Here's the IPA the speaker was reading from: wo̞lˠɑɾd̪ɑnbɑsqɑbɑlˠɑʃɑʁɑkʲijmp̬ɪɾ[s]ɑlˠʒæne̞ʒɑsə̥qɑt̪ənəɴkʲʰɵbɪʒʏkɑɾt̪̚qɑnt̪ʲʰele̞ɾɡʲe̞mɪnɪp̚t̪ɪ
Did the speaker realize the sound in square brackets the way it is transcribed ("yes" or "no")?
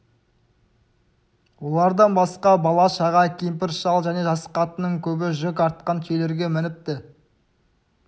no